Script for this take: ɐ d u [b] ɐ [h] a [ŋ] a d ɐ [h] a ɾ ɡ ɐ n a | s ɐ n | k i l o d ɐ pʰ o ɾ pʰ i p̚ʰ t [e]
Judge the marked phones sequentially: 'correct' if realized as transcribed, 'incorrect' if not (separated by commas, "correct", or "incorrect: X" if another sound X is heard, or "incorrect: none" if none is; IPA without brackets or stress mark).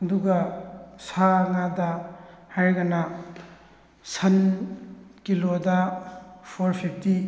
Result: incorrect: ɡ, incorrect: s, correct, correct, incorrect: i